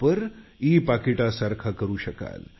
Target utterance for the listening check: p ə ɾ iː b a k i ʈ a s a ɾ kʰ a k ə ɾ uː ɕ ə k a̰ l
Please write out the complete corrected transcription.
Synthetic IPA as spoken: p ə ɾ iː p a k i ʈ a s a ɾ kʰ a k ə ɾ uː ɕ ə k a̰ l